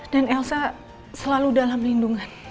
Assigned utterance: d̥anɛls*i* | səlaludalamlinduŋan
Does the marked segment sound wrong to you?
yes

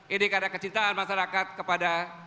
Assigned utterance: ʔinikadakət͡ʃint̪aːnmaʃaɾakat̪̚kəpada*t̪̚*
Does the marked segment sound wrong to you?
yes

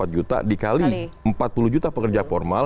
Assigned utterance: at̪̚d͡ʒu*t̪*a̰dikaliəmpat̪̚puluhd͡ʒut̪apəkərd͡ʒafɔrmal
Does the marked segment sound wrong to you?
no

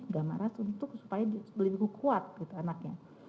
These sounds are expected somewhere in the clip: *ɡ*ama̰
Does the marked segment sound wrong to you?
no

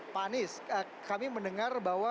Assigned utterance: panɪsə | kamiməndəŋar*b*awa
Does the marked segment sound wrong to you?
no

